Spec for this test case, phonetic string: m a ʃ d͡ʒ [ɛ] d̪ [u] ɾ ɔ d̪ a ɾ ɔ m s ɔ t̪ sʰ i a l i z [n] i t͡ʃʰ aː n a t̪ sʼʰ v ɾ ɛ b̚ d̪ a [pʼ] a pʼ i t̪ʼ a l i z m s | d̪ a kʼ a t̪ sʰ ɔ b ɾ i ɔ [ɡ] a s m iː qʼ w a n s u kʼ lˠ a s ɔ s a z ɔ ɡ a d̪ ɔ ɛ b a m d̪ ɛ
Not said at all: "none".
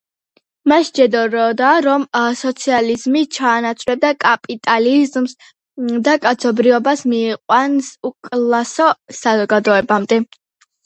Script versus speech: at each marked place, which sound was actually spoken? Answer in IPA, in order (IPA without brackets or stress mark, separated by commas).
ɛ, ɔ, m, kʼ, b